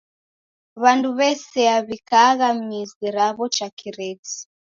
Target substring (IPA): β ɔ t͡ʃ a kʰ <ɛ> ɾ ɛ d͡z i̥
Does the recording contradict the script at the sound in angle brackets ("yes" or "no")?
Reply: yes